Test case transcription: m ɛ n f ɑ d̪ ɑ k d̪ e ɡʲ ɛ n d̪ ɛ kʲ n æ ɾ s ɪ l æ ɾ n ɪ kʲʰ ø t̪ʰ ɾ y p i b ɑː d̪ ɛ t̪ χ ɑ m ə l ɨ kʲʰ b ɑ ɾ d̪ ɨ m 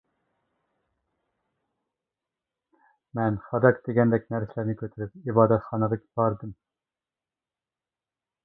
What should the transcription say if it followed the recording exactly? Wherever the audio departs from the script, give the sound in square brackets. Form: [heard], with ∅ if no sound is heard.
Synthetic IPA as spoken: m ɛ n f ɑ d̪ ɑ k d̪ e ɡʲ ɛ n d̪ ɛ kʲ n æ ɾ s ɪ l æ ɾ n ɪ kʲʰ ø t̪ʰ ɾ y p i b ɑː d̪ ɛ t̪ χ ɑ [n] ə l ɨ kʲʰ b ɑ ɾ d̪ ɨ m